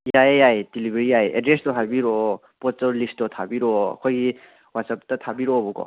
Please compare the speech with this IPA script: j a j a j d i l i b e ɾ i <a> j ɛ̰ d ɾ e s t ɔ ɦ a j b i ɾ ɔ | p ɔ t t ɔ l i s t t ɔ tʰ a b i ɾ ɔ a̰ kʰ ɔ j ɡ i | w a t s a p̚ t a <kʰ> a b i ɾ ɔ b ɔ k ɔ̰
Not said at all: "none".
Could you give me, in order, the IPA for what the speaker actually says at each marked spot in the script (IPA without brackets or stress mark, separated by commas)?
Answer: a, tʰ